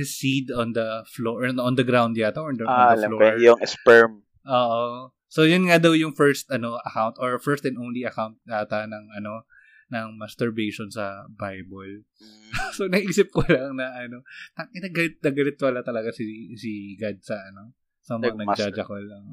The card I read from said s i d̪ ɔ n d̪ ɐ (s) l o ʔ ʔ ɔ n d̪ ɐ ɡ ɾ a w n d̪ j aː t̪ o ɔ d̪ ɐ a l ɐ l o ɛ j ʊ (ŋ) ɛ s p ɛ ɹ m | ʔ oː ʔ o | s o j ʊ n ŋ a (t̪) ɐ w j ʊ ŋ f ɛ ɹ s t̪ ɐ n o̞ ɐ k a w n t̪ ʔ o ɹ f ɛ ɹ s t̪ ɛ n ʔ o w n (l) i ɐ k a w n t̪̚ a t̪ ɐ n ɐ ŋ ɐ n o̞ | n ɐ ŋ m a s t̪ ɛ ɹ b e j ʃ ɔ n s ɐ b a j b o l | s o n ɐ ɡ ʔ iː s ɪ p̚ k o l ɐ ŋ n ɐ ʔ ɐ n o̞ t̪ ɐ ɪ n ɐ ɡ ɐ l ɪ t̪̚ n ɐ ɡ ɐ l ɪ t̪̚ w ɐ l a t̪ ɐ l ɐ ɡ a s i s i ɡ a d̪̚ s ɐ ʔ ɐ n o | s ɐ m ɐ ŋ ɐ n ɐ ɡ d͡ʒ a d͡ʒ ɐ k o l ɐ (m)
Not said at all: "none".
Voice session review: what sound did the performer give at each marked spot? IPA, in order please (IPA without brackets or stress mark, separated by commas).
f, ŋ, d̪, l, ŋ